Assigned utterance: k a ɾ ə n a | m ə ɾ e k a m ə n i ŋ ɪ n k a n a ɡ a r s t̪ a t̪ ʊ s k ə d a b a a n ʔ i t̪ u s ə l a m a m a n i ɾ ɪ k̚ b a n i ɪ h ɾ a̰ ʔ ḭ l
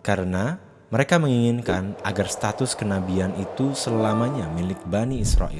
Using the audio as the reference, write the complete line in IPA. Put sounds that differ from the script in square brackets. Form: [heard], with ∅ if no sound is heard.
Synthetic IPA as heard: k a ɾ ə n a | m ə ɾ e k a m ə [ŋ] i ŋ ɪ n k a n a ɡ a r s t̪ a t̪ ʊ s k ə [n] a b [i] a n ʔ i t̪ u s ə l a m a [ɲ] a [m] i [l] ɪ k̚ b a n i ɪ [s] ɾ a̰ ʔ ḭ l